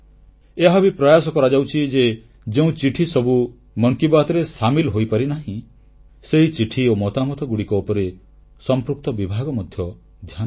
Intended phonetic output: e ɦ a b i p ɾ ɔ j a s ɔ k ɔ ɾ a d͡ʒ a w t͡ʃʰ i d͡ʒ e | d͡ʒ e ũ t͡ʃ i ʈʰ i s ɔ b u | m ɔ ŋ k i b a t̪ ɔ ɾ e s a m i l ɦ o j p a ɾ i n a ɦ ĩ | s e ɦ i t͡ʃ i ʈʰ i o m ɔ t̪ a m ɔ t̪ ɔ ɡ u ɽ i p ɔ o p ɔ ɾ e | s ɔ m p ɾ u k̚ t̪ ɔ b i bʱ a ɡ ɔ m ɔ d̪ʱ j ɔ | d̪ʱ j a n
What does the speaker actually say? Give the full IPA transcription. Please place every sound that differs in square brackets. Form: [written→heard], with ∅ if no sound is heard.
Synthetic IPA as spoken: e ɦ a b i p ɾ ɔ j a s ɔ k ɔ ɾ a d͡ʒ a w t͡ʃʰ i d͡ʒ e | d͡ʒ e ũ t͡ʃ i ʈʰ i s ɔ b u | m ɔ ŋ k i b a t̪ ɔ ɾ e s a m i l ɦ o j p a ɾ i n a ɦ ĩ | s e ɦ i t͡ʃ i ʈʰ i o m ɔ t̪ a m ɔ t̪ ɔ ɡ u ɽ i [p→k] ɔ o p ɔ ɾ e | s ɔ m p ɾ u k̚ t̪ ɔ b i bʱ a ɡ ɔ m ɔ d̪ʱ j ɔ | d̪ʱ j a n